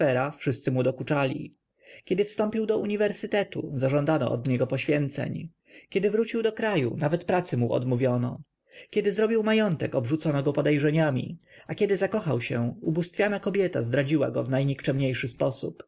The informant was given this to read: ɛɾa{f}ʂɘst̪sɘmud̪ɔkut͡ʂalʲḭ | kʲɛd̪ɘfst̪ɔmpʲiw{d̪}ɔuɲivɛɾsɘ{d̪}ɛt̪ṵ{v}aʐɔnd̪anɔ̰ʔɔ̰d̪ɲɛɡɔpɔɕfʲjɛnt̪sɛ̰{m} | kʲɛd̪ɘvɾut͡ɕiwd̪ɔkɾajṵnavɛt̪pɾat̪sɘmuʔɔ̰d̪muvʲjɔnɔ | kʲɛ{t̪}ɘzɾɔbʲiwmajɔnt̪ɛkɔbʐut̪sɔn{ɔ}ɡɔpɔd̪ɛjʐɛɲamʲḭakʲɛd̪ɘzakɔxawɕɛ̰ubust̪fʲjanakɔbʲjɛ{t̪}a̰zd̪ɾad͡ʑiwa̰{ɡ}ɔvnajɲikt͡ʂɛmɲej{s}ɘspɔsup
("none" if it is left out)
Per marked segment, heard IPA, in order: f, d̪, t̪, z, ɲ, d̪, ɔ, t̪, ɡ, ʂ

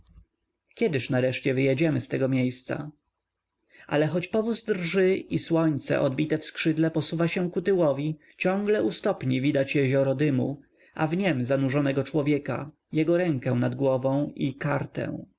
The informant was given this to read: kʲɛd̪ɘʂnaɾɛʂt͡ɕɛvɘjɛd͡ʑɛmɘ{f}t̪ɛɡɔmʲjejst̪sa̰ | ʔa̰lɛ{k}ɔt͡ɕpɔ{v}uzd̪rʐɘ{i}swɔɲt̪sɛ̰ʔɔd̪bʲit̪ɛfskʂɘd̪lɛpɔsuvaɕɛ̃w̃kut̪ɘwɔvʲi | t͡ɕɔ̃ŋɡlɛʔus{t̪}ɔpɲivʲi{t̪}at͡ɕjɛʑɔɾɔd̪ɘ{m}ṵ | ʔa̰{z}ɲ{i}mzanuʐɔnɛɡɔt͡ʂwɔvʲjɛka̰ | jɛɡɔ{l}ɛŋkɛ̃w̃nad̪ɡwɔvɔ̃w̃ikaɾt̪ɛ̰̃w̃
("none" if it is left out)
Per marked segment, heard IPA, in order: s, x, v, i, t̪, d̪, m, v, ɛ, ɾ

